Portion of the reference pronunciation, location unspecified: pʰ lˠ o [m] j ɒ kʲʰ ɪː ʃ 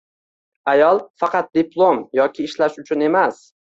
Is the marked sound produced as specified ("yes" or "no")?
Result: yes